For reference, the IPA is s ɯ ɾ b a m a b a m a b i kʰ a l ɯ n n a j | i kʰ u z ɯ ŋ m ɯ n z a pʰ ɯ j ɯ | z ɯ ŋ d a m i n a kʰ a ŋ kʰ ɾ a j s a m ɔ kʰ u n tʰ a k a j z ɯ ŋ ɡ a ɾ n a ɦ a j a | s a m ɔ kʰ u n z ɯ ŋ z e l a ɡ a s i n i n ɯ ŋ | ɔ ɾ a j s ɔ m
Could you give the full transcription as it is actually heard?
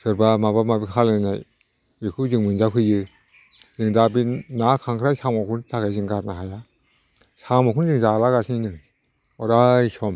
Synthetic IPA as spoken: s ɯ ɾ b a m a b a m a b i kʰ a l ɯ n n a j | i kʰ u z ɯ ŋ m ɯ n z a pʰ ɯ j ɯ | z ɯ ŋ d a b i n a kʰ a ŋ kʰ ɾ a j s a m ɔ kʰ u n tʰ a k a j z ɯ ŋ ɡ a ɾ n a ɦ a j a | s a m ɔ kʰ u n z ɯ ŋ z a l a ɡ a s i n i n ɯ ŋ | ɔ ɾ a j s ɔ m

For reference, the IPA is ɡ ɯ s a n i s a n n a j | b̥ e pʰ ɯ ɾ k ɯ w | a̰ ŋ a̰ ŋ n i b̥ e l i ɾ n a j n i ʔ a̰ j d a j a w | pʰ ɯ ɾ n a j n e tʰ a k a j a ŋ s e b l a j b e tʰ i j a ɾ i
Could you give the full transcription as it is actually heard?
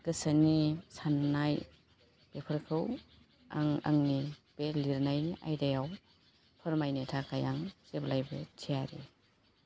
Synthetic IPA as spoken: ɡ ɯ s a n i s a n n a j | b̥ e pʰ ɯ ɾ kʰ ɯ w | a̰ ŋ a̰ ŋ n i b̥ e l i ɾ n a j n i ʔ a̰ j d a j a w | pʰ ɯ ɾ m a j n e tʰ a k a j a ŋ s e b l a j b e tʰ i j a ɾ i

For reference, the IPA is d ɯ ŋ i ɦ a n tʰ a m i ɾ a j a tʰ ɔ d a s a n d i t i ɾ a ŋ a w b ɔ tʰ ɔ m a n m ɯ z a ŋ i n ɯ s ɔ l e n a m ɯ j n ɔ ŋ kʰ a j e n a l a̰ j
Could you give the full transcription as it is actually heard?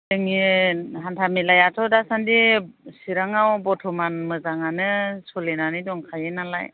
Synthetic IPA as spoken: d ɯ ŋ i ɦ a n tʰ a m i l a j a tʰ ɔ d a s a n d i s i ɾ a ŋ a w b ɔ tʰ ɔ m a n m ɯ z a ŋ a n ɯ s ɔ l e n a n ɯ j d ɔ ŋ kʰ a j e n a l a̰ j

